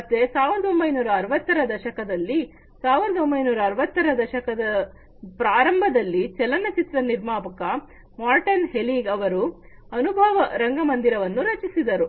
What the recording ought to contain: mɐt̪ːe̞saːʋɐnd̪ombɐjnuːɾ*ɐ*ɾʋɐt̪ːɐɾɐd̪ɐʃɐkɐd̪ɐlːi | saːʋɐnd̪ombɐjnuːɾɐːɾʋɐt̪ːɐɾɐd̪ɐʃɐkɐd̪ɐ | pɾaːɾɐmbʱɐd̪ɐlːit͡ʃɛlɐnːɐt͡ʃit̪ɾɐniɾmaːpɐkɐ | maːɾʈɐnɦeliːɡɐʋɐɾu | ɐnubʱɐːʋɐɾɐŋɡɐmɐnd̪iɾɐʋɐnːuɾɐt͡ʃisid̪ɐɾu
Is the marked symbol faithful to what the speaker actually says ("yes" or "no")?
no